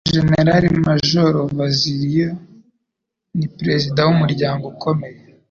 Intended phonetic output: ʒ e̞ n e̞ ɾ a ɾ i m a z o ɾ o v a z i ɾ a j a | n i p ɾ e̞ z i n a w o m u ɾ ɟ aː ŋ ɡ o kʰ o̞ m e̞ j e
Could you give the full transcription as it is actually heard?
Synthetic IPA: ʒ e̞ n e̞ ɾ a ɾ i m a ʒ o ɾ o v a z i ɾ i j a | n i p ɾ e̞ z i d a w u m u ɾ ɟ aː ŋ ɡ o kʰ o̞ m e̞ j e